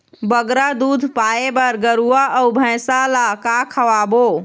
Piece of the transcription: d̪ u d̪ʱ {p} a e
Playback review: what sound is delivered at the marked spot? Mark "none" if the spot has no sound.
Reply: p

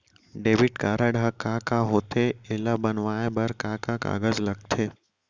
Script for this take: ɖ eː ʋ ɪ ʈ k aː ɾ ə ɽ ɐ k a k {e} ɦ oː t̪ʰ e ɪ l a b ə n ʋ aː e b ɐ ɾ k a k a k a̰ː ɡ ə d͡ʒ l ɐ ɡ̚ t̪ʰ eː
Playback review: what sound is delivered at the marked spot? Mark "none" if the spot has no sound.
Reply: a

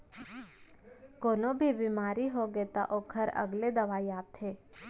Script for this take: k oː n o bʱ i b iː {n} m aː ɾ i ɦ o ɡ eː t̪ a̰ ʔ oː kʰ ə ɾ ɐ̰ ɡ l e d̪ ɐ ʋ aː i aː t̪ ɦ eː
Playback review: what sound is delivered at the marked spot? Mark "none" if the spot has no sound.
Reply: none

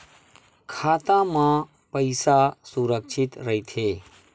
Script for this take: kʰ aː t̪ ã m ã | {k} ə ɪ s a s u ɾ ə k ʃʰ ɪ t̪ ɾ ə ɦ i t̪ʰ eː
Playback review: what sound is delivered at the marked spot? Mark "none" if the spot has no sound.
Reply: p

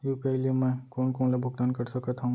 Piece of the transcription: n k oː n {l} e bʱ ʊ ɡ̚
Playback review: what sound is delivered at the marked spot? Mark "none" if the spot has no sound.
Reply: l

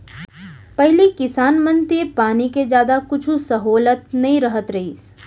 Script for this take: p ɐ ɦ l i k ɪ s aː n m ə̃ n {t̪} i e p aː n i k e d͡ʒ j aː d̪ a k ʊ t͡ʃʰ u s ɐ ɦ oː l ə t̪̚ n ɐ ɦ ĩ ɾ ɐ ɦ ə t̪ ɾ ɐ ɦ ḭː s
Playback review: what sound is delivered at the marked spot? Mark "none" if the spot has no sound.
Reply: t̪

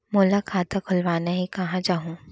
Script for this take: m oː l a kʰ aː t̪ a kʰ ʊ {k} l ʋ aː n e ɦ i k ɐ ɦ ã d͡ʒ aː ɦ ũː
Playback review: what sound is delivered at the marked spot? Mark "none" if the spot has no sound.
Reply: none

